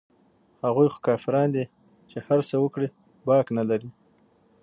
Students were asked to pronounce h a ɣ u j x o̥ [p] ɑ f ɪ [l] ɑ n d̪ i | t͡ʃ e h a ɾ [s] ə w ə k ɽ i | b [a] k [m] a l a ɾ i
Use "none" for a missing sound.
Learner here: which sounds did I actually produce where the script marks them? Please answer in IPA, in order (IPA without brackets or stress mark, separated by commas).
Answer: k, ɾ, s, ɑ, n